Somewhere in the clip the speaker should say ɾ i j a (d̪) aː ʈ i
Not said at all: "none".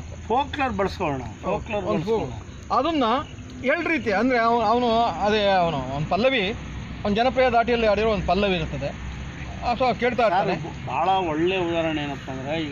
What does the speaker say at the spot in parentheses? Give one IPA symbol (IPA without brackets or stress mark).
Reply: d̪